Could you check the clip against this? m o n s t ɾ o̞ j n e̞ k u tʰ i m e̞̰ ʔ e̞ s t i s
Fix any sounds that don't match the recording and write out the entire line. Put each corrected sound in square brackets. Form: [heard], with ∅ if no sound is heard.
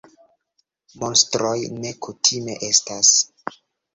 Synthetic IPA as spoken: m o n s t ɾ o̞ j n e̞ k u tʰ i m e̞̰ ʔ e̞ s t [a] s